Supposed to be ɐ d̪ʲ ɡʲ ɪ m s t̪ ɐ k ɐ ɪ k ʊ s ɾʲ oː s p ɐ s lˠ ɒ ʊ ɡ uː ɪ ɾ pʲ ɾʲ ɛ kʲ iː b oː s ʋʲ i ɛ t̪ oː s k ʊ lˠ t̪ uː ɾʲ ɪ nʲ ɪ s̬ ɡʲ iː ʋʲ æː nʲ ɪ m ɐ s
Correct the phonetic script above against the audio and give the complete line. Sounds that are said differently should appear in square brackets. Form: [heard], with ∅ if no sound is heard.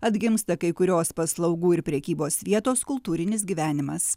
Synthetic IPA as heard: ɐ d̪ʲ ɡʲ ɪ m s t̪ ɐ k ɐ ɪ k ʊ [∅] ɾʲ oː s p ɐ s lˠ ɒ ʊ ɡ uː ɪ ɾ pʲ ɾʲ ɛ kʲ iː b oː s ʋʲ i ɛ t̪ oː s k ʊ lˠ t̪ uː ɾʲ ɪ nʲ ɪ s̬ ɡʲ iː ʋʲ æː nʲ ɪ m ɐ s